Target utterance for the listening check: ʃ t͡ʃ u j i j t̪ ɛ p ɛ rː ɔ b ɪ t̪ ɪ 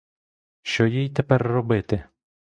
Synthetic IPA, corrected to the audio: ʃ t͡ʃ ɔ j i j t̪ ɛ p ɛ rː ɔ b ɪ t̪ ɪ